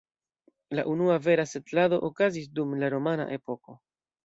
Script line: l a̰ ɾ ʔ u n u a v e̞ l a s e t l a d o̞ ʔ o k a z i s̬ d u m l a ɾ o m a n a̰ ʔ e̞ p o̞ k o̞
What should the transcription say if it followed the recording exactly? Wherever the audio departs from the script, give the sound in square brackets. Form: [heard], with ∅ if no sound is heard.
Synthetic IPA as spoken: l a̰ [∅] ʔ u n u a v e̞ [ɾ] a s e t l a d o̞ ʔ o k a z i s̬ d u m l a ɾ o m a n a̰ ʔ e̞ p o̞ k o̞